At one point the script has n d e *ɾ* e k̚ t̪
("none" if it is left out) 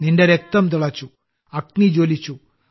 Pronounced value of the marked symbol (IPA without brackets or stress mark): ɾ